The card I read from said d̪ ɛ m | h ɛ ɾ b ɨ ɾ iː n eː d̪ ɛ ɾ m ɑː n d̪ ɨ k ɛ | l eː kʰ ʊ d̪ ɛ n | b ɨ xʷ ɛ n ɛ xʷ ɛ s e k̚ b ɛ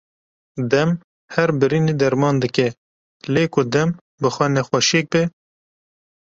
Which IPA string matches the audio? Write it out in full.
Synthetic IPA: d̪ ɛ m | h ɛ ɾ b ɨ ɾ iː n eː d̪ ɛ ɾ m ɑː n d̪ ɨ k ɛ | l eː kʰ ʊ d̪ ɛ m | b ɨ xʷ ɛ n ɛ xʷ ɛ ʃ e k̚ b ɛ